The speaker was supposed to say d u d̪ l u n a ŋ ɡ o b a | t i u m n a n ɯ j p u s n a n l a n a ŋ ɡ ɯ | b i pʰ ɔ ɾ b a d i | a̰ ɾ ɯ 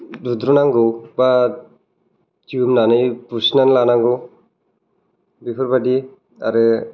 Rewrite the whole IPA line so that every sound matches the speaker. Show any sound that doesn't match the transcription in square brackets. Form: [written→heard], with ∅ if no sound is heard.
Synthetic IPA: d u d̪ [l→ɾ] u n a ŋ ɡ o b a | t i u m n a n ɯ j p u s n a n l a n a ŋ ɡ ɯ | b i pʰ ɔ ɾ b a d i | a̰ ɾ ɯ